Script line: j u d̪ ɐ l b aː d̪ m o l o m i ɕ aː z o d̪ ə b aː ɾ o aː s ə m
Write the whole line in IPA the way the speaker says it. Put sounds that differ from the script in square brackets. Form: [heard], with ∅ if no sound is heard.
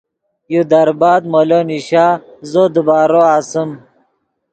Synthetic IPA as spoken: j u d̪ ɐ [ɾ] b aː d̪ m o l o [n] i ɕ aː z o d̪ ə b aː ɾ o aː s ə m

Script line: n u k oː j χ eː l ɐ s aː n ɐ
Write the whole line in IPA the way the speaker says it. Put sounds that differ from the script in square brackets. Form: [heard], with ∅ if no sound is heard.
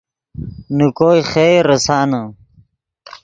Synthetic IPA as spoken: n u k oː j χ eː [ɾ] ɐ s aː n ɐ

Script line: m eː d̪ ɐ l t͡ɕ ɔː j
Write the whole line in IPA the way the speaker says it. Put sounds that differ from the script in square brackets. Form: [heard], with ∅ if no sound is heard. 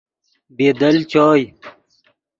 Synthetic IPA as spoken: [b] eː d̪ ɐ l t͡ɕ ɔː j

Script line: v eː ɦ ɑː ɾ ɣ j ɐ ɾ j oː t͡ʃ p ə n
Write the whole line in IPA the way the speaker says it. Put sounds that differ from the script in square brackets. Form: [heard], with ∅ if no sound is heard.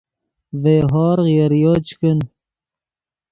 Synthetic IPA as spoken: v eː ɦ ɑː ɾ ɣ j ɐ ɾ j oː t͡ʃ [k] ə n

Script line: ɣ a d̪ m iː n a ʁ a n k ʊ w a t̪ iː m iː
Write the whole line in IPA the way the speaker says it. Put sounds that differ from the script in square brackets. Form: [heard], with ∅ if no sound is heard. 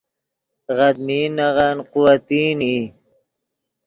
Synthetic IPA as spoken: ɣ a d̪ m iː n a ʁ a n [q] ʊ w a t̪ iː [n] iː

